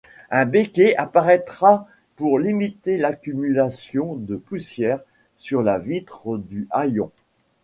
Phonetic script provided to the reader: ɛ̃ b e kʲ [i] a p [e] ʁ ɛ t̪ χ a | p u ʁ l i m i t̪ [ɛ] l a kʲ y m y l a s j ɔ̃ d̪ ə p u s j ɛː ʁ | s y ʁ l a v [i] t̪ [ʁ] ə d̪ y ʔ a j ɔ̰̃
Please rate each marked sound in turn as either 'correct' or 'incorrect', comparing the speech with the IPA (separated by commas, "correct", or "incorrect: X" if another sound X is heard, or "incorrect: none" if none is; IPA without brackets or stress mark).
incorrect: e, incorrect: a, incorrect: e, correct, incorrect: χ